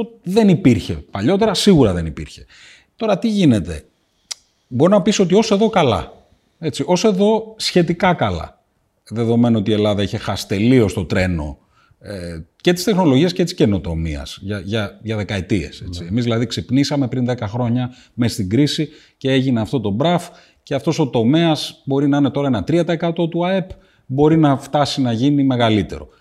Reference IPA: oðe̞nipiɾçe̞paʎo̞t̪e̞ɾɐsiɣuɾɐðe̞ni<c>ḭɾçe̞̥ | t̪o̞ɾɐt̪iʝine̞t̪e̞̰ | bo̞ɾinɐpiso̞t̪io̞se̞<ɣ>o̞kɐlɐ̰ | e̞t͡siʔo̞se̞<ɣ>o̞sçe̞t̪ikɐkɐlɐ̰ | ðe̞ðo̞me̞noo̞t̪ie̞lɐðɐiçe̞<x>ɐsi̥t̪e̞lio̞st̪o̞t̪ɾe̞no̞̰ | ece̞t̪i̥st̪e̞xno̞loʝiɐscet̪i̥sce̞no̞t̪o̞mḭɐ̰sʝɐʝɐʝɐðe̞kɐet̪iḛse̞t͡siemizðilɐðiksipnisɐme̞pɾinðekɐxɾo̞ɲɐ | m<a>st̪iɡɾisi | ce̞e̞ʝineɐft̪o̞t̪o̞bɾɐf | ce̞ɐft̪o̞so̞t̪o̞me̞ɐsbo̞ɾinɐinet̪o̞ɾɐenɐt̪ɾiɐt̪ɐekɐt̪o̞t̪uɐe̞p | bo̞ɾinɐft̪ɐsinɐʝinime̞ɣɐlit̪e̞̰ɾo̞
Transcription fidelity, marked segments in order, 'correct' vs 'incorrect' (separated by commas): incorrect, incorrect, incorrect, correct, incorrect